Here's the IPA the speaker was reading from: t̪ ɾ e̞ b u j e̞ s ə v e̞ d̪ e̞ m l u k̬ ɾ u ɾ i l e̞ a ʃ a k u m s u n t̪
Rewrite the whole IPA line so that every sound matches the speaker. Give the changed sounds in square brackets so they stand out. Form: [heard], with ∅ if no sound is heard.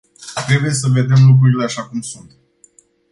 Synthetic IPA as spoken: t̪ ɾ e̞ b u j e̞ s ə v e̞ d̪ e̞ m l u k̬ ɾ u ɾ i l e̞ a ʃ a k u m s u n t̪